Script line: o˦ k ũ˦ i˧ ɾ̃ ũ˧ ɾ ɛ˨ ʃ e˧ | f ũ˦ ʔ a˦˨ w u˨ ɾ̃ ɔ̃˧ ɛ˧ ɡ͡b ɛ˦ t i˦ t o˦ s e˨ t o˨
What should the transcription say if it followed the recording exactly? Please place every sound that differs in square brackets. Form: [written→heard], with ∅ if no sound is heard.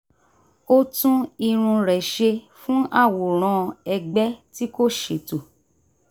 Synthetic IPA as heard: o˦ [k→t] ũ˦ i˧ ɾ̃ ũ˧ ɾ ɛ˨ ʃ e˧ | f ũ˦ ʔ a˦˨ w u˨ ɾ̃ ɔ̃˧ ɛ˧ ɡ͡b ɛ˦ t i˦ [t→k] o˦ [s→ʃ] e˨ t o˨